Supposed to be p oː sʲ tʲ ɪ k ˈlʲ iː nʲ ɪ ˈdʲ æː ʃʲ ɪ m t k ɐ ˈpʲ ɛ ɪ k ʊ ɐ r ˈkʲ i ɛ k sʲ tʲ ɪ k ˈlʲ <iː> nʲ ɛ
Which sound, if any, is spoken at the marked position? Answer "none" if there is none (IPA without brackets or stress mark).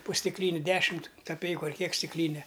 iː